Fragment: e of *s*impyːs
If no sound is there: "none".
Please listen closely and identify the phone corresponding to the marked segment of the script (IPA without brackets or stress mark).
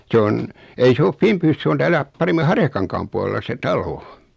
f